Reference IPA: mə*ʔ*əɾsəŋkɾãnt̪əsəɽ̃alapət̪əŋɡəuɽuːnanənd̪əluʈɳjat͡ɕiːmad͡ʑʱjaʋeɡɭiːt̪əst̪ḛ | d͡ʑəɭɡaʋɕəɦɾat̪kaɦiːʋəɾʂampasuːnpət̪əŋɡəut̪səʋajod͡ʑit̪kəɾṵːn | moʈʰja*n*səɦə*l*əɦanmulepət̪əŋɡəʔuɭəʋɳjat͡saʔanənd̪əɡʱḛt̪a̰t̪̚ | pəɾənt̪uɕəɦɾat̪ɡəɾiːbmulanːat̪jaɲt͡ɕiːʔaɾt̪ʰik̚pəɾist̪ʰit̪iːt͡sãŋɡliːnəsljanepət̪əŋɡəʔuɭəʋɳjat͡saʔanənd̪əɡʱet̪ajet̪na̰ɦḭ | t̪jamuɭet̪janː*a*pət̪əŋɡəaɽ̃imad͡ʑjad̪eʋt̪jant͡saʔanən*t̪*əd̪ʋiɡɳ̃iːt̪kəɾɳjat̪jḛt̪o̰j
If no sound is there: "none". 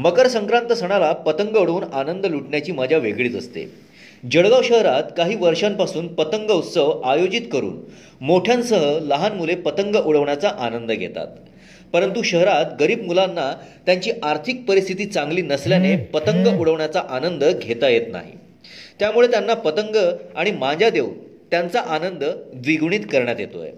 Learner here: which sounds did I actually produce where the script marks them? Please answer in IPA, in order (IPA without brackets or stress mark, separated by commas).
k, n, l, a, d̪